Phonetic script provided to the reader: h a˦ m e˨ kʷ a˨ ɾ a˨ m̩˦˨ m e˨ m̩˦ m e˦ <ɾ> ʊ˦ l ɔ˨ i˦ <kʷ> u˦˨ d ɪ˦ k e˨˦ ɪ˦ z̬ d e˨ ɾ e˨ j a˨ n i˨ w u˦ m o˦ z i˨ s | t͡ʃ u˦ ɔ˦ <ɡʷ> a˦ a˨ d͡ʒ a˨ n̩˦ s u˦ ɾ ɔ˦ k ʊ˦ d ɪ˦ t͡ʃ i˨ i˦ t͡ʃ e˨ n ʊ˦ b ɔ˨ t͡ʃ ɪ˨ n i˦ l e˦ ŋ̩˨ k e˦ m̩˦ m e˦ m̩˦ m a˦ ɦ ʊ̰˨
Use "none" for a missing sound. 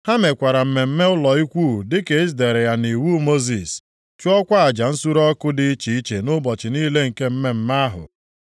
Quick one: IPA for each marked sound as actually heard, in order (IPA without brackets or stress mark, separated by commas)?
none, kʷ, kʷ